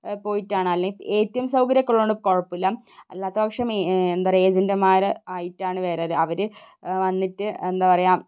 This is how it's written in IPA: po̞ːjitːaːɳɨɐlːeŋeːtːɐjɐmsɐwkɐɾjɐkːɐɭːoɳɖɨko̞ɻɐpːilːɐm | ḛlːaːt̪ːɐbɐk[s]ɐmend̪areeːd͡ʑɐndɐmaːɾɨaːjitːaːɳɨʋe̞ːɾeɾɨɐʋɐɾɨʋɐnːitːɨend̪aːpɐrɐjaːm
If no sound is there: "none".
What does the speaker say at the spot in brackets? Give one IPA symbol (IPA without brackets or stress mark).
ʂ